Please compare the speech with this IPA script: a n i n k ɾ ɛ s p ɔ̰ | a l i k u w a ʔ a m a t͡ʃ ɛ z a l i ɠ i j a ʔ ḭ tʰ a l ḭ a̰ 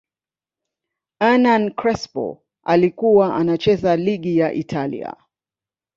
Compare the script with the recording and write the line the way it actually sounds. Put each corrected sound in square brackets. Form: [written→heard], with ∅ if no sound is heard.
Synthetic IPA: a n [i→a] n k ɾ ɛ s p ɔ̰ | a l i k u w a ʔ a [m→n] a t͡ʃ ɛ z a l i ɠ i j a ʔ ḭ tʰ a l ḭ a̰